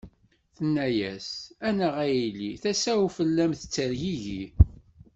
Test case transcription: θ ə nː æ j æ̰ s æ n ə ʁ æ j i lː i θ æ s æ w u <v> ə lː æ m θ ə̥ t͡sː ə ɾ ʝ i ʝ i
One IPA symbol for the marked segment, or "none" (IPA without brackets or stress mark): f